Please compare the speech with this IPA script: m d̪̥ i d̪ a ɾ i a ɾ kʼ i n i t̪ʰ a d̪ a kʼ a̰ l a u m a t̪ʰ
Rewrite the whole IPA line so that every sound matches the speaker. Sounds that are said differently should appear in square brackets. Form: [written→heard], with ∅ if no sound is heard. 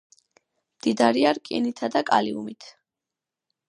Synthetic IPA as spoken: m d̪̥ i d̪ a ɾ i a ɾ kʼ i n i t̪ʰ a d̪ a kʼ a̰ l [a→i] u m [a→i] t̪ʰ